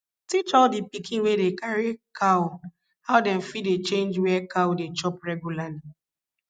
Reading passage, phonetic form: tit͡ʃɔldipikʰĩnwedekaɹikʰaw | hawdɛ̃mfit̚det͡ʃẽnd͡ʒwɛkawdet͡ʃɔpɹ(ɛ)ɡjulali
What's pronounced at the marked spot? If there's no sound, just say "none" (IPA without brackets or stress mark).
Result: ɛ